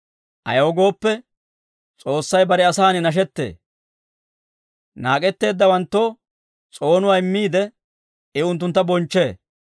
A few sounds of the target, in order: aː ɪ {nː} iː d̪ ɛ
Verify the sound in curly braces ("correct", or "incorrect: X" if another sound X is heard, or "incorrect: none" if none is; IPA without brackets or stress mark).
incorrect: mː